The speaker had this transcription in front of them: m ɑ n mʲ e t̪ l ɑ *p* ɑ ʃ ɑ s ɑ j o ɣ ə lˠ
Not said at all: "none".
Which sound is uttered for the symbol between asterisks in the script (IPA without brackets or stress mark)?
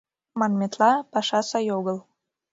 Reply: p